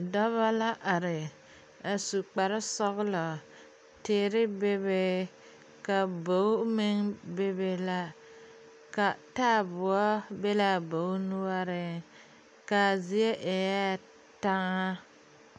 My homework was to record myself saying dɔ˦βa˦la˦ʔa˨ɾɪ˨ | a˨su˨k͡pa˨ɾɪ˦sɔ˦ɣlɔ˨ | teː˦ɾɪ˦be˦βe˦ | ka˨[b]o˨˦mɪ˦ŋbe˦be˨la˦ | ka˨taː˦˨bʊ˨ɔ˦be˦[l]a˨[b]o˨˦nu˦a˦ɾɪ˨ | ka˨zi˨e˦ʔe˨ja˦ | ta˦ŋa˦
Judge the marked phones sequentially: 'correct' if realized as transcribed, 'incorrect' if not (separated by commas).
correct, correct, correct